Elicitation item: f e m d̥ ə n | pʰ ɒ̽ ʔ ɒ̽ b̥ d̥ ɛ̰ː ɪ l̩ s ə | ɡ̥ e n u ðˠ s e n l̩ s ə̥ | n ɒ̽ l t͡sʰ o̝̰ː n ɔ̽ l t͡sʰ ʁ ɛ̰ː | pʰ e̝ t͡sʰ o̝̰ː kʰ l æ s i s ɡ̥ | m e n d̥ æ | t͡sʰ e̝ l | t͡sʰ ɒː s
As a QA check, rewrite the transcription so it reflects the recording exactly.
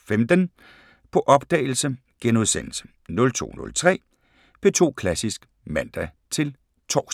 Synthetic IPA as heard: f e m d̥ ə n | pʰ ɒ̽ ʔ ɒ̽ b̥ d̥ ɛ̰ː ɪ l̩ s ə | ɡ̥ e n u ðˠ s e n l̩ s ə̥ | n ɔ̽ l t͡sʰ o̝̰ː n ɔ̽ l t͡sʰ ʁ ɛ̰ː | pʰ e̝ t͡sʰ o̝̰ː kʰ l æ s i s ɡ̥ | m æ n d̥ æ | t͡sʰ e̝ l | t͡sʰ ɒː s

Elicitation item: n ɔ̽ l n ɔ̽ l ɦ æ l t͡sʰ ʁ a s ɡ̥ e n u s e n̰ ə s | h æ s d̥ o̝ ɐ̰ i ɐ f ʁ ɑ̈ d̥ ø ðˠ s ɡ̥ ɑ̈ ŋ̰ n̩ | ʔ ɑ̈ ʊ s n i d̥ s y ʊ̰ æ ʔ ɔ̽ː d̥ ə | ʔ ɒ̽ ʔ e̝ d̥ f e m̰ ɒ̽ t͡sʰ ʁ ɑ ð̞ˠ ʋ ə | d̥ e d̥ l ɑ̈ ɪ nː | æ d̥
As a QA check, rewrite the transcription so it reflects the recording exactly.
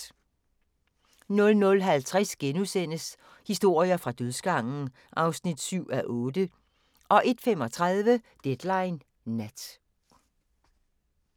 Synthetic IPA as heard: n ɔ̽ l n ɔ̽ l ɦ æ l t͡sʰ ʁ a s ɡ̥ e n u s e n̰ ə s | h i s d̥ o̝ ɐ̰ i ɐ f ʁ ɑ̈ d̥ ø ðˠ s ɡ̥ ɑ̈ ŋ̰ n̩ | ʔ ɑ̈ ʊ s n i d̥ s y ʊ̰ æ ʔ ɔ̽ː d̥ ə | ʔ ɒ̽ ʔ e̝ d̥ f e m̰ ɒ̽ t͡sʰ ʁ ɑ ð̞ˠ ʋ ə | d̥ e d̥ l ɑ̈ ɪ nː | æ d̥

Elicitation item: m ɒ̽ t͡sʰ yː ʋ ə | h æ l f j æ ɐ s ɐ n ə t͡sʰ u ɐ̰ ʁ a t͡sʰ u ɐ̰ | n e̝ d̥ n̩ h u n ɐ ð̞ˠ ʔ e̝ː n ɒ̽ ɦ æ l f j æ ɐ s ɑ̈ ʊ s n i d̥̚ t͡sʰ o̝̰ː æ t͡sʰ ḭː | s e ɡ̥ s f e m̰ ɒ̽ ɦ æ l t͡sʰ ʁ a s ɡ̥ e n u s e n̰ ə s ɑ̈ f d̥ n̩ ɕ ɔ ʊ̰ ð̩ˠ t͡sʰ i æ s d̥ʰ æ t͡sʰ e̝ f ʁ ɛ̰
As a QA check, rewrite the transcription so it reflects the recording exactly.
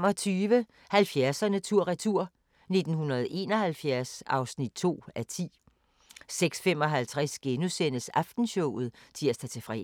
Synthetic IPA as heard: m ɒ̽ t͡sʰ yː ʋ ə | h æ l f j æ ɐ s ɐ n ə t͡sʰ u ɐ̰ ʁ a t͡sʰ u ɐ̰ | n e̝ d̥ n̩ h u n ɐ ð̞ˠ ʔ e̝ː n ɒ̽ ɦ æ l f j æ ɐ s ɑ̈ ʊ s n i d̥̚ t͡sʰ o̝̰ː æ t͡sʰ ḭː | s e ɡ̥ s f e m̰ ɒ̽ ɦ æ l t͡sʰ ʁ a s ɡ̥ e n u s e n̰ ə s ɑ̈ f d̥ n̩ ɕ ɔ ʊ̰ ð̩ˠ t͡sʰ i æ s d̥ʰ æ t͡sʰ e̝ f ʁ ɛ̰

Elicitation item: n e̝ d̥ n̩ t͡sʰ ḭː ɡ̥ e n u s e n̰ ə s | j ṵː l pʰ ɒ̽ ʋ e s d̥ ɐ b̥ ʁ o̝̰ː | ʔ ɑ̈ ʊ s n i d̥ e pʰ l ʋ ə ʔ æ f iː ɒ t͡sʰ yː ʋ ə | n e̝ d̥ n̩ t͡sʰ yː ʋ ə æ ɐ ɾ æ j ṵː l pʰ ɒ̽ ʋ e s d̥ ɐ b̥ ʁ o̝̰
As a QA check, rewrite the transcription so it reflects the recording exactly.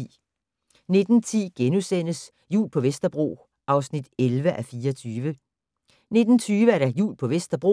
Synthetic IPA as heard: n e̝ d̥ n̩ t͡sʰ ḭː ɡ̥ e n u s e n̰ ə s | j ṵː l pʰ ɒ̽ ʋ e s d̥ ɐ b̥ ʁ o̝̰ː | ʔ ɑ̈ ʊ s n i d̥ e l ʋ ə ʔ æ f iː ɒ t͡sʰ yː ʋ ə | n e̝ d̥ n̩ t͡sʰ yː ʋ ə æ ɐ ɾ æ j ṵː l pʰ ɒ̽ ʋ e s d̥ ɐ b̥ ʁ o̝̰

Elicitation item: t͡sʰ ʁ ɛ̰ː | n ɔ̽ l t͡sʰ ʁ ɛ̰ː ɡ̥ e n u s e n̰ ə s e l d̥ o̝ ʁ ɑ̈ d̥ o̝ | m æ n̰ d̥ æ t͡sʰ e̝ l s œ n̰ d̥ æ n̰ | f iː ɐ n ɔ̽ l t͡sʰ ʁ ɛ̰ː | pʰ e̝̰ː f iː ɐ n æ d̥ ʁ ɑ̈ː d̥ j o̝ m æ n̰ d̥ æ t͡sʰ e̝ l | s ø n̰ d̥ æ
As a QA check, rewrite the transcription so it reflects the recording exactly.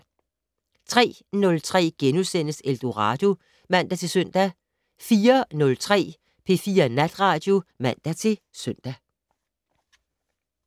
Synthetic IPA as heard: t͡sʰ ʁ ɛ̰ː | n ɔ̽ l t͡sʰ ʁ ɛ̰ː ɡ̥ e n u s e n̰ ə s e l d̥ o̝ ʁ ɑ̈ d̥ o̝ | m æ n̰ d̥ æ t͡sʰ e̝ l s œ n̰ d̥ æ | f iː ɐ n ɔ̽ l t͡sʰ ʁ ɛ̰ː | pʰ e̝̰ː f iː ɐ n æ d̥ ʁ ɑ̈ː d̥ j o̝ m æ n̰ d̥ æ t͡sʰ e̝ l | s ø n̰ d̥ æ

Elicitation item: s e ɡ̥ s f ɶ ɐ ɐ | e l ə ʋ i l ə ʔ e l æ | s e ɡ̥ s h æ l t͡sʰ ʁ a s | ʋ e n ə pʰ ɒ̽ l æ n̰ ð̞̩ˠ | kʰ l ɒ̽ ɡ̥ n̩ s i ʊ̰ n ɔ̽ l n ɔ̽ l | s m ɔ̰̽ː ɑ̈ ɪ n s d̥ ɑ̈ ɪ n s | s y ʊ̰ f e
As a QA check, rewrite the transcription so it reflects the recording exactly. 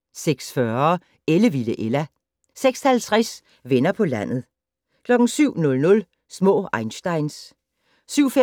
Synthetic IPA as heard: s e ɡ̥ s f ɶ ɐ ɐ | e l ə ʋ i l ə ʔ e l æ | s e ɡ̥ s h æ l t͡sʰ ʁ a s | ʋ e n ɐ pʰ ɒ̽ l æ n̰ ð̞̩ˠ | kʰ l ɒ̽ ɡ̥ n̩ s y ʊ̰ n ɔ̽ l n ɔ̽ l | s m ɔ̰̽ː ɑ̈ ɪ n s d̥ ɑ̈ ɪ n s | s y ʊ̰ f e

